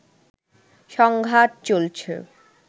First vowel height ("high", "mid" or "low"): mid